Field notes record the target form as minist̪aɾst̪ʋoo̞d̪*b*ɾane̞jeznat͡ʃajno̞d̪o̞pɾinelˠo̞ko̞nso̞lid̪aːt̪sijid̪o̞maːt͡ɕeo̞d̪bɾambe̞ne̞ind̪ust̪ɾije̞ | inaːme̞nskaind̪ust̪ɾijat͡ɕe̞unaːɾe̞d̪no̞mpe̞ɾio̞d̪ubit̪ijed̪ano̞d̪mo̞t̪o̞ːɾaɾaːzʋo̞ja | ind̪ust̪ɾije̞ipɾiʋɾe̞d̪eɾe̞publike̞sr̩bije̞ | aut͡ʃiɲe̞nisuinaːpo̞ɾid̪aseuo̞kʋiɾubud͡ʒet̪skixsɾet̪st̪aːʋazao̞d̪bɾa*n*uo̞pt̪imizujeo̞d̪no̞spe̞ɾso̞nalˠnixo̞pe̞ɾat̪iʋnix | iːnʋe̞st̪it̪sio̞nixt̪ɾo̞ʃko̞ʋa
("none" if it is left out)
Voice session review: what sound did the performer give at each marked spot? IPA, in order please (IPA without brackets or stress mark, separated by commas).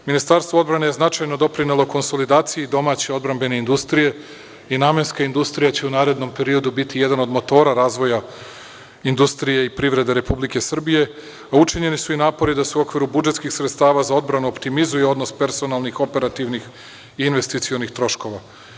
b, n